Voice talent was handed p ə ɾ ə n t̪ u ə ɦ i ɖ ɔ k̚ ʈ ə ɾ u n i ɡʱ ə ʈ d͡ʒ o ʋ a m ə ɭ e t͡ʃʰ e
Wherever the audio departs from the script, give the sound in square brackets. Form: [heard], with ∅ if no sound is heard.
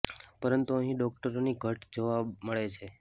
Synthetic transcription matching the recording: p ə ɾ ə n t̪ u ə ɦ [ĩ] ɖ ɔ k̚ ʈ ə ɾ [o] n i ɡʱ ə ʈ d͡ʒ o ʋ a m ə ɭ e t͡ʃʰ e

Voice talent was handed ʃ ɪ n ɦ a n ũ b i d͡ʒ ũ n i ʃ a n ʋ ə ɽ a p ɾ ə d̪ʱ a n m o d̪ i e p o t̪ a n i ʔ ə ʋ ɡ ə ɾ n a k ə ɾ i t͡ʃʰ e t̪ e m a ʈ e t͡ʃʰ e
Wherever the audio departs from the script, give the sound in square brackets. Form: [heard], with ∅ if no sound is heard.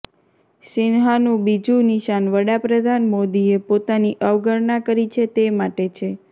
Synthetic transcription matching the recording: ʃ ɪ n ɦ a n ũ b i d͡ʒ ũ n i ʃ a n ʋ ə ɽ a p ɾ ə d̪ʱ a n m o d̪ i e p o t̪ a n i ʔ ə ʋ ɡ ə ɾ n a k ə ɾ i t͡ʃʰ e t̪ e m a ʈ e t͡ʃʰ e

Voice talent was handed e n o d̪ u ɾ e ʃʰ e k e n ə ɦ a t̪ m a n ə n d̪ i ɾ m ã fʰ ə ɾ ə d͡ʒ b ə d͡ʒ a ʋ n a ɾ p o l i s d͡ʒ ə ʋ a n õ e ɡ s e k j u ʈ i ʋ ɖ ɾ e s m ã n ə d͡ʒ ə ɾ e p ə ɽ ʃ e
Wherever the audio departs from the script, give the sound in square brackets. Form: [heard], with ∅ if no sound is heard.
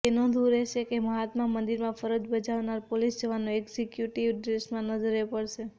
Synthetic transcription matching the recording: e n o d̪ u ɾ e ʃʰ e k e [m] ə ɦ a t̪ m a [m] ə n d̪ i ɾ m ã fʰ ə ɾ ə d͡ʒ b ə d͡ʒ a ʋ n a ɾ p o l i s d͡ʒ ə ʋ a n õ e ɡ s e k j u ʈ i ʋ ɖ ɾ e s m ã n ə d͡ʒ ə ɾ e p ə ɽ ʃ e

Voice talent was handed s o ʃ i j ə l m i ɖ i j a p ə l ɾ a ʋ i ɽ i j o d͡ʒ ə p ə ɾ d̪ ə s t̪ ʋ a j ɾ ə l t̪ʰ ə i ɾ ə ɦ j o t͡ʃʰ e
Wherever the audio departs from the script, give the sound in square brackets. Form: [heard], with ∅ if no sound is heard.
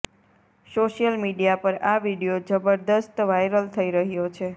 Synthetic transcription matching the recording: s o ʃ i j ə l m i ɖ i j a p ə [∅] ɾ a ʋ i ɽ i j o d͡ʒ ə [b] ə ɾ d̪ ə s t̪ ʋ a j ɾ ə l t̪ʰ ə i ɾ ə ɦ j o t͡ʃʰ e

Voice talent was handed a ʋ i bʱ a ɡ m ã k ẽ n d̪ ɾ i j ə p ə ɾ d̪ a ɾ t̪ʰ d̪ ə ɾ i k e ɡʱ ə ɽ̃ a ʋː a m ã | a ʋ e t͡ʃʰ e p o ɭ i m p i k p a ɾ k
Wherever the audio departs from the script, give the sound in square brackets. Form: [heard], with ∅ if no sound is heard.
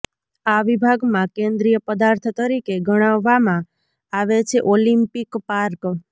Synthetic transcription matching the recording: a ʋ i bʱ a ɡ m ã k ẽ n d̪ ɾ i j ə p ə [∅] d̪ a ɾ t̪ʰ [t̪] ə ɾ i k e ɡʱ ə ɽ̃ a ʋː a m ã | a ʋ e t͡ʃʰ e [ʔ] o [l] i m p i k p a ɾ k

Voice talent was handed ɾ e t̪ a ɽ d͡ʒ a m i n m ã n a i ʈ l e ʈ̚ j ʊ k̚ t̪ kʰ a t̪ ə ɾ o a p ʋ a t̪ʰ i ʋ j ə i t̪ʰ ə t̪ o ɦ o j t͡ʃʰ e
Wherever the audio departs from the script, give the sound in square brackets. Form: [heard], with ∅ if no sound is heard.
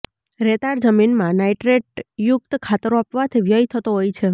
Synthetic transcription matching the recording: ɾ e t̪ a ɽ d͡ʒ [ə] m i n m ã n a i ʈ [ɾ] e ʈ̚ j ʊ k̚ t̪ kʰ a t̪ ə ɾ o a p ʋ a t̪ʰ i ʋ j ə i t̪ʰ ə t̪ o ɦ o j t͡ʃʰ e

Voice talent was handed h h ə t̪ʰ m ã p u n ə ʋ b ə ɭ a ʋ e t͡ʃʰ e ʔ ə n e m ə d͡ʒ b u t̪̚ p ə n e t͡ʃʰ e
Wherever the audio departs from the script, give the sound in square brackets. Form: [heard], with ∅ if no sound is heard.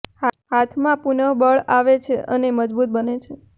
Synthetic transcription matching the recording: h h [a] t̪ʰ m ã p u n ə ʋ b ə ɭ a ʋ e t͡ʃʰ e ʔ ə n e m ə d͡ʒ b u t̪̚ [b] ə n e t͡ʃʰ e

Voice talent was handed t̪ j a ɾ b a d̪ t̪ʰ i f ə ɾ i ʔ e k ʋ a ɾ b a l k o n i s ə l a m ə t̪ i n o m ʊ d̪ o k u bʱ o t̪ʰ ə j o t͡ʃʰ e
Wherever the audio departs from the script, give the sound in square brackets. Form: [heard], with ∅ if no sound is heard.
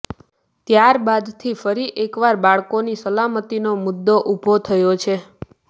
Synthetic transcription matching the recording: t̪ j a ɾ b a d̪ t̪ʰ i f ə ɾ i ʔ e k ʋ a ɾ b a [ɭ] k o n i s ə l a m ə t̪ i n o m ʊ [d̪ː] o [ʔ] u bʱ o t̪ʰ ə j o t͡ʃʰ e

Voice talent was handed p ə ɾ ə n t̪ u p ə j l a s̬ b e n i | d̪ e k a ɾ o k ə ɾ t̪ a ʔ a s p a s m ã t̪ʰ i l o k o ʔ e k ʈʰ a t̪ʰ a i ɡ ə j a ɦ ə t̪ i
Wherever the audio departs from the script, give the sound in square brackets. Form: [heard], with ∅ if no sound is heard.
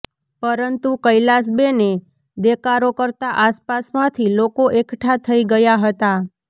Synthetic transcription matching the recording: p ə ɾ ə n t̪ u [k] ə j l a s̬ b e n [e] | d̪ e k a ɾ o k ə ɾ t̪ a ʔ a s p a s m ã t̪ʰ i l o k o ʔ e k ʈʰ a t̪ʰ [ə] i ɡ ə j a ɦ ə t̪ [a]

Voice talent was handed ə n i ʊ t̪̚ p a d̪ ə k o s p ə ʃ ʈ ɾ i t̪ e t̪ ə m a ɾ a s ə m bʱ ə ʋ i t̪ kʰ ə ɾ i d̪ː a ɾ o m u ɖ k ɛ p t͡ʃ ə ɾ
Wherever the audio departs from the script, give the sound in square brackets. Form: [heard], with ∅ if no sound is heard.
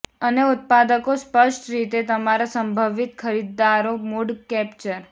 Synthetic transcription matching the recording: ə n [e] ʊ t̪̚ p a d̪ ə k o s p ə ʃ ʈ ɾ i t̪ e t̪ ə m a ɾ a s ə m bʱ ə ʋ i t̪ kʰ ə ɾ i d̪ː a ɾ o m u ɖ k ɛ p t͡ʃ ə ɾ

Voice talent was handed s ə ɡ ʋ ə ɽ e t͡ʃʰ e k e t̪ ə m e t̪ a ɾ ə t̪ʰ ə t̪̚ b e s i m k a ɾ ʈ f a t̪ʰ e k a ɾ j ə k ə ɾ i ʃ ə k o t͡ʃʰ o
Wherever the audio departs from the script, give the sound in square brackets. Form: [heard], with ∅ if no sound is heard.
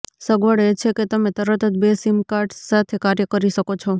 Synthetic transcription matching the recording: s ə ɡ ʋ ə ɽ e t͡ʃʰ e k e t̪ ə m e t̪ [ə] ɾ ə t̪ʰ ə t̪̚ b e s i m k a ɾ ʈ [s] a t̪ʰ e k a ɾ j ə k ə ɾ i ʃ ə k o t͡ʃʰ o

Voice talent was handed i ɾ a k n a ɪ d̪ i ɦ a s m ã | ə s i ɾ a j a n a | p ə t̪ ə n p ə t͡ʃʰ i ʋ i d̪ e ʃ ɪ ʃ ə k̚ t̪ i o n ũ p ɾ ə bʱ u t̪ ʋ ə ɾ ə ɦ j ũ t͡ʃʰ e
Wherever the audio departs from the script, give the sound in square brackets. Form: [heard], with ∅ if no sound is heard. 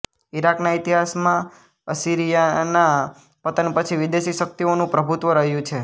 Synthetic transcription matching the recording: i ɾ a k n a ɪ [t̪] i ɦ a s m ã | ə s i ɾ [i] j a n a | p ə t̪ ə n p ə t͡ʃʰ i ʋ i d̪ e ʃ [i] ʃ ə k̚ t̪ i o n ũ p ɾ ə bʱ u t̪ ʋ ə ɾ ə ɦ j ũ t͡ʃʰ e

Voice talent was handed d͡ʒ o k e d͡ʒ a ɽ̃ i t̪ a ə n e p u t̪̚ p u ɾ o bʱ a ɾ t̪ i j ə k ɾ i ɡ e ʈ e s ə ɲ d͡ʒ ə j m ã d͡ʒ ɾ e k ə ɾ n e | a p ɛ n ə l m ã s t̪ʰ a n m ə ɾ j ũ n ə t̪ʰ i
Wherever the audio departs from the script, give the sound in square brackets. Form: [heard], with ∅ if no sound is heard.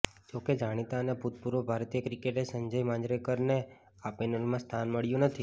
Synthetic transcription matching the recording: d͡ʒ o k e d͡ʒ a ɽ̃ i t̪ a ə n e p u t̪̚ p u ɾ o bʱ a ɾ t̪ i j ə k ɾ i [k] e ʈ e s ə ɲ d͡ʒ ə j m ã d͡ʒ ɾ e k ə ɾ n e | a p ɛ n ə l m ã s t̪ʰ a n m ə [ɭ] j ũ n ə t̪ʰ i

